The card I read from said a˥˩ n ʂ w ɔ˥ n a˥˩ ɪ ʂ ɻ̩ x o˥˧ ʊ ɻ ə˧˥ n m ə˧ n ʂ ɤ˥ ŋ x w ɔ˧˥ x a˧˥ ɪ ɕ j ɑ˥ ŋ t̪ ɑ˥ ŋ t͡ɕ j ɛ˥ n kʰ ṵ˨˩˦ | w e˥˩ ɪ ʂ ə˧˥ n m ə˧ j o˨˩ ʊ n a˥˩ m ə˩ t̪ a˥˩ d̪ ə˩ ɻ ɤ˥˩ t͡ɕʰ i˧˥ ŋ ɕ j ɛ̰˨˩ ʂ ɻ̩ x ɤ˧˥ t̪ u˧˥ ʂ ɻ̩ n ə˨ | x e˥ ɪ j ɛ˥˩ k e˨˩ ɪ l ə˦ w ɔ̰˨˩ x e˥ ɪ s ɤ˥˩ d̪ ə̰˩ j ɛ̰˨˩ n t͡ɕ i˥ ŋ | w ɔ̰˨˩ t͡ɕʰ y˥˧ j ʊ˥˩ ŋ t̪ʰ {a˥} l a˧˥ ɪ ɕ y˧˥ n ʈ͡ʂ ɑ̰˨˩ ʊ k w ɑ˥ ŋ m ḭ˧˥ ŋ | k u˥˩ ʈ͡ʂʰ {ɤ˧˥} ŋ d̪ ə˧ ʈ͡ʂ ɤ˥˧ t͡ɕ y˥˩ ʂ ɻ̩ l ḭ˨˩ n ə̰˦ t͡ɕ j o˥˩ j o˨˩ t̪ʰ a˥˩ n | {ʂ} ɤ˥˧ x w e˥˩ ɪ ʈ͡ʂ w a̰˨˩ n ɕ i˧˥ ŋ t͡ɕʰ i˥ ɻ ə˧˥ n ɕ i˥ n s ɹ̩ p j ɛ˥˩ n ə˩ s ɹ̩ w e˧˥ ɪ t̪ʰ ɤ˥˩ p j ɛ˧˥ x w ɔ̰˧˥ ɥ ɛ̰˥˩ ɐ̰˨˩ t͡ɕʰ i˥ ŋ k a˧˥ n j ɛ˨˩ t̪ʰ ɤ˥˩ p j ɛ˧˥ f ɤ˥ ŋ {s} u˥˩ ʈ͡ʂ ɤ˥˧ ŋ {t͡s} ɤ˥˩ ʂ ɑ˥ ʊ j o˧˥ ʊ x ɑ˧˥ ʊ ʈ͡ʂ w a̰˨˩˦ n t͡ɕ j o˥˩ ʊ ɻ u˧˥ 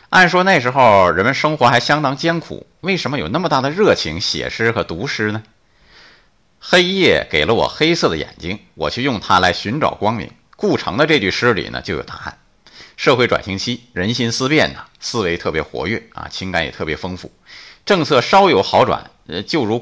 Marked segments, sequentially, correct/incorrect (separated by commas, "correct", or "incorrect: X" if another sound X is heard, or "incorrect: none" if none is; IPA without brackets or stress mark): correct, correct, correct, incorrect: f, incorrect: t͡sʰ